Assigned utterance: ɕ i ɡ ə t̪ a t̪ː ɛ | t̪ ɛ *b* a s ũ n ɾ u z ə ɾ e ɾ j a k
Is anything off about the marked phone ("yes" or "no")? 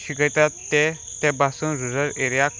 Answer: no